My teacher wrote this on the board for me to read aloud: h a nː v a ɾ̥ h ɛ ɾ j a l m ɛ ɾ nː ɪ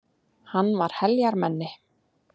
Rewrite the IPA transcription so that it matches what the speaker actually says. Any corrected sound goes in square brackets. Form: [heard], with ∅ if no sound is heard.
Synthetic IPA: h a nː v a ɾ̥ h ɛ [l] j a [ɾ] m ɛ [∅] nː ɪ